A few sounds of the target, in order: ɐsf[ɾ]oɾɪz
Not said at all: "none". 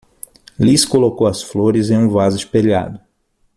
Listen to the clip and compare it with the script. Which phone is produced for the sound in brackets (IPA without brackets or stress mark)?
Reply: l